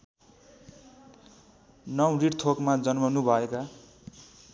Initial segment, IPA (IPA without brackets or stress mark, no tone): n